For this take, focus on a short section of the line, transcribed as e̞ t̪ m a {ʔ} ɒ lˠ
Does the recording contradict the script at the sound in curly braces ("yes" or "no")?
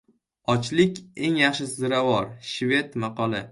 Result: yes